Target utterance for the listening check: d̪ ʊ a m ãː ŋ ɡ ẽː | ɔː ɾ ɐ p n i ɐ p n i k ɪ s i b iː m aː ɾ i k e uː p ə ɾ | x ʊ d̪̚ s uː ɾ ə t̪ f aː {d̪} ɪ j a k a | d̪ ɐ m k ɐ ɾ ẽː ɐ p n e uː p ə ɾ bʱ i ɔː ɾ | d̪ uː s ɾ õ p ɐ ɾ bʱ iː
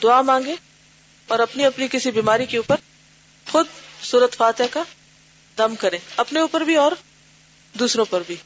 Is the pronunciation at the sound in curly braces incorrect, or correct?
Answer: incorrect